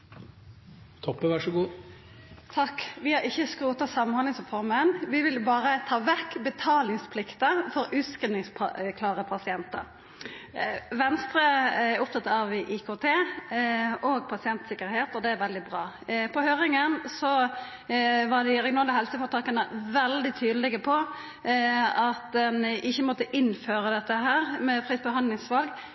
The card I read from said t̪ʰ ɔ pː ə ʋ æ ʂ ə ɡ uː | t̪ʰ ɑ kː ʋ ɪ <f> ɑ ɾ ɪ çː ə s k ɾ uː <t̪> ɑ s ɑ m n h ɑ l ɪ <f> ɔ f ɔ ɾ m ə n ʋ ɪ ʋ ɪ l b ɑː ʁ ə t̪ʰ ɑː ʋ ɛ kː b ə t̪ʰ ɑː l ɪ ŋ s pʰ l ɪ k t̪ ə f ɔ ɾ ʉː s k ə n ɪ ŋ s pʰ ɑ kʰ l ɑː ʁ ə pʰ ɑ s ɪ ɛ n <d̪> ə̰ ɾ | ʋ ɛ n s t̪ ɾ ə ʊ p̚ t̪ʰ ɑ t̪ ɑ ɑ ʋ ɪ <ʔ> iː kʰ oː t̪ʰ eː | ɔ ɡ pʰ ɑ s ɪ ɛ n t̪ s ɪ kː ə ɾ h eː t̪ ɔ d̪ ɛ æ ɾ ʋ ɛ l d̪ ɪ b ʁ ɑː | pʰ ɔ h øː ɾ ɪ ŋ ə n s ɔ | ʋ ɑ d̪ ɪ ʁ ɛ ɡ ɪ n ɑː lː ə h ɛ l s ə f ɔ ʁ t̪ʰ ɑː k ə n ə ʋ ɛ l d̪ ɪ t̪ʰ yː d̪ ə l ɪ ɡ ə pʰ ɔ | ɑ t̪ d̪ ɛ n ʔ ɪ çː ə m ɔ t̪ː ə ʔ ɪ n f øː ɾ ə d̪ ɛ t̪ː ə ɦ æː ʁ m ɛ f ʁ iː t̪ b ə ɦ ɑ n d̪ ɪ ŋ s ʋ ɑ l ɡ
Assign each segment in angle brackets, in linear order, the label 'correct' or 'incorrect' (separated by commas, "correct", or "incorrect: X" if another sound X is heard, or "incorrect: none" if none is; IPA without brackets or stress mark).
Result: incorrect: h, correct, incorrect: s, incorrect: t̪, correct